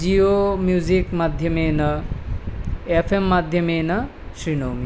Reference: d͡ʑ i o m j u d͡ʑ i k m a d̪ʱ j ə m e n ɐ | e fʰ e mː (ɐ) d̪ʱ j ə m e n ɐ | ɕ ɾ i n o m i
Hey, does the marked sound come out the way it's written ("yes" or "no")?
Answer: no